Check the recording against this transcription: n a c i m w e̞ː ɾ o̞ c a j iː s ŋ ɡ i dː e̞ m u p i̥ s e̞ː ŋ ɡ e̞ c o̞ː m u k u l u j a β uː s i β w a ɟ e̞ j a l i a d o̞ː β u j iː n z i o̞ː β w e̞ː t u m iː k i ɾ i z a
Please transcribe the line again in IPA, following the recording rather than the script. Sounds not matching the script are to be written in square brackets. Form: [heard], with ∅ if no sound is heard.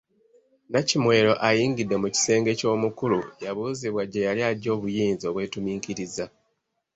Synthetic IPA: n a c i m w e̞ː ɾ o̞ [ʔ] a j iː [∅] ŋ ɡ i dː e̞ m u [c] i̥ s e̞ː ŋ ɡ e̞ c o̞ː m u k u l u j a β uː [z] i β w a ɟ e̞ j a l i a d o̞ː β u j iː n z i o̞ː β w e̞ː t u m iː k i ɾ i z a